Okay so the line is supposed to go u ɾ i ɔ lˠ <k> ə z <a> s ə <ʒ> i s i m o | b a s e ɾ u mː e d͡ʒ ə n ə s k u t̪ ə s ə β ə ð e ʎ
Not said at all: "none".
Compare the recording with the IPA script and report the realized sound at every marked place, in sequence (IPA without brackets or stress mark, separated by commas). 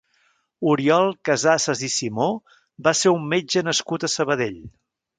k, a, z